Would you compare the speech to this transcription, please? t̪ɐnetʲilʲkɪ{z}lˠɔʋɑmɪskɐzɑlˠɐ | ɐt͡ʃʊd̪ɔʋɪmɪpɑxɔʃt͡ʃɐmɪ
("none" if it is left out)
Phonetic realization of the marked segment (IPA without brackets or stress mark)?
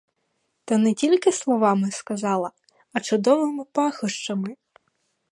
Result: s